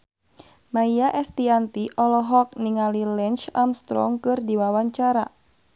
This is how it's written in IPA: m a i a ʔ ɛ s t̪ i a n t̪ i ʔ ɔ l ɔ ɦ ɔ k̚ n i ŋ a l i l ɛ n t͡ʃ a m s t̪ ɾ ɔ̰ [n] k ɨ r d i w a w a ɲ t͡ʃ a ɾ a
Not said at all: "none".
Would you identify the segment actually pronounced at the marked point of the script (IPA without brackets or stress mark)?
ŋ